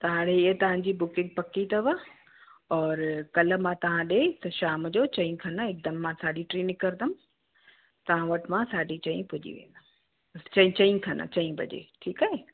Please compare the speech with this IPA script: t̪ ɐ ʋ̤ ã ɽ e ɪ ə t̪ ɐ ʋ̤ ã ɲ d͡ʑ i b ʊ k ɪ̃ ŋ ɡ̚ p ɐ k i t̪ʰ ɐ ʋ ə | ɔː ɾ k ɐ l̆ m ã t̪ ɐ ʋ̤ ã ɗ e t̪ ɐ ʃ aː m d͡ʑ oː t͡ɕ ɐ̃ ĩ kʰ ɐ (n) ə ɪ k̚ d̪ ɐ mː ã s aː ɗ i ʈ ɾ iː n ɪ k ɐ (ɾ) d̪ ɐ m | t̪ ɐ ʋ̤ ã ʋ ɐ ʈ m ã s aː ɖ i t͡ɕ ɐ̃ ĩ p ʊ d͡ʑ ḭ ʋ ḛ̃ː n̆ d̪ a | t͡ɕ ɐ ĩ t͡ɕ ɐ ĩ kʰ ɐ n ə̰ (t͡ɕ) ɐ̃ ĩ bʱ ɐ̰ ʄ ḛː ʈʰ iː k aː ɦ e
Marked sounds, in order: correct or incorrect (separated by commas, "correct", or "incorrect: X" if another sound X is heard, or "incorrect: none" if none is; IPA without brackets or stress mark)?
correct, correct, correct